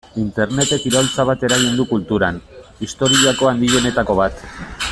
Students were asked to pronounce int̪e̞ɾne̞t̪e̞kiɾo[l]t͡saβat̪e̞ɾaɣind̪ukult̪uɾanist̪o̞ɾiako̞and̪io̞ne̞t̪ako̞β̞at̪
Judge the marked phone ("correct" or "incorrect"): correct